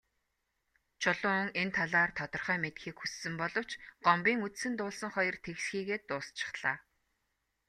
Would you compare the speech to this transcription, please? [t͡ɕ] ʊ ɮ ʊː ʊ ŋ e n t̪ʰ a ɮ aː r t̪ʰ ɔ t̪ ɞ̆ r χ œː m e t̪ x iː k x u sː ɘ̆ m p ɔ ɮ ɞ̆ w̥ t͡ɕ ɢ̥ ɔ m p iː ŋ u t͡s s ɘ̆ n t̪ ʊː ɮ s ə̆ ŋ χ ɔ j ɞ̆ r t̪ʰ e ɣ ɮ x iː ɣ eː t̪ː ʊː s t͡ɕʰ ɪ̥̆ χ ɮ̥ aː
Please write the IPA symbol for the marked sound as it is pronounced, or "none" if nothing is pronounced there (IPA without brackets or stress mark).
t͡ɕʰ